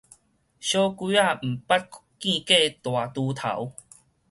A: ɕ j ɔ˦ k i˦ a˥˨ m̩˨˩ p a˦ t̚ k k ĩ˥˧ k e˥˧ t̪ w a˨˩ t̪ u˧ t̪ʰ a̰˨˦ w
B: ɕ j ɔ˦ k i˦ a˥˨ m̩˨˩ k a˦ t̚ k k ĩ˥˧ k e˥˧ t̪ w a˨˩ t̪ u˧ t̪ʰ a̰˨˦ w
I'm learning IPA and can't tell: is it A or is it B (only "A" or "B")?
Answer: A